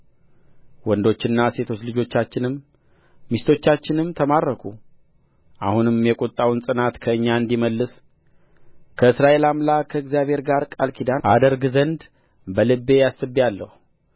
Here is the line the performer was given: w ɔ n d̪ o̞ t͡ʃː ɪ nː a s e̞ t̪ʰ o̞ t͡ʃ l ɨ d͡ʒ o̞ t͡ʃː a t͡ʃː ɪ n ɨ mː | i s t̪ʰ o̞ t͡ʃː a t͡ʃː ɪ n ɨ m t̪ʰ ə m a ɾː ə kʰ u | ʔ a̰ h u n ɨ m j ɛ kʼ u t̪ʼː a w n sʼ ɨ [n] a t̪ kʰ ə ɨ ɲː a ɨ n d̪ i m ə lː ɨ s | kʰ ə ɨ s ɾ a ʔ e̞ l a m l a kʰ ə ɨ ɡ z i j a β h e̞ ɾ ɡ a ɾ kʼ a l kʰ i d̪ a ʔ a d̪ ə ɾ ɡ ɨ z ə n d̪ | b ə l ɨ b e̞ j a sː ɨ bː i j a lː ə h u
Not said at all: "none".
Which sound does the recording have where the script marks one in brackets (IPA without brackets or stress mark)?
n